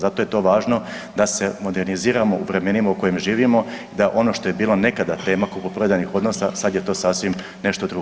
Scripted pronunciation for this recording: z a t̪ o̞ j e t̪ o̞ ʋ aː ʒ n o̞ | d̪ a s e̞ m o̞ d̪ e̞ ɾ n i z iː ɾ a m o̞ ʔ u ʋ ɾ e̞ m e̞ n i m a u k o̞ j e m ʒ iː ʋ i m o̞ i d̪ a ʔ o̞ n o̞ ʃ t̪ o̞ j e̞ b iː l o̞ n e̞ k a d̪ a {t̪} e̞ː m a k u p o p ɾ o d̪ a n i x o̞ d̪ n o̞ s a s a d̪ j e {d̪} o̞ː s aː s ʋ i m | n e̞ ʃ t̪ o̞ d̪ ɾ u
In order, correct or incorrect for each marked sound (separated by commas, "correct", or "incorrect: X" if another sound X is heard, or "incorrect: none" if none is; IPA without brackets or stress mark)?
correct, incorrect: t̪